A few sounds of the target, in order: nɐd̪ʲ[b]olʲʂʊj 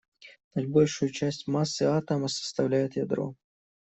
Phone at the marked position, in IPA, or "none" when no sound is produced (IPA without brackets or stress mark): b